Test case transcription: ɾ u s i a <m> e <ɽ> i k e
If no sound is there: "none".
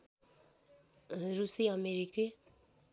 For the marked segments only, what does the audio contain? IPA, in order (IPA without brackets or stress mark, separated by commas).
m, ɾ